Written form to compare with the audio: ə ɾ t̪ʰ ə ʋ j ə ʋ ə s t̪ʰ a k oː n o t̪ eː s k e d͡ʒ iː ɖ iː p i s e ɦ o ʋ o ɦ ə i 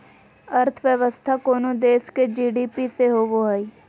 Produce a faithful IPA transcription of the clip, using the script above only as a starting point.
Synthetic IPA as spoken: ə ɾ t̪ʰ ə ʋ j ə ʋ ə s t̪ʰ a k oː n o d̪ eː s k e d͡ʒ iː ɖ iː p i s e ɦ o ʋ o ɦ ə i